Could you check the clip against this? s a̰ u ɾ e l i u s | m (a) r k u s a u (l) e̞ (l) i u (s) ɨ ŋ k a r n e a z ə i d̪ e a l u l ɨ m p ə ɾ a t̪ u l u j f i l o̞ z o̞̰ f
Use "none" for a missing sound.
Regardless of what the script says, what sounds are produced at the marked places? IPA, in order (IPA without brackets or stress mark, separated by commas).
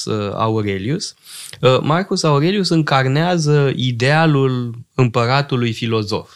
a, ɾ, l, s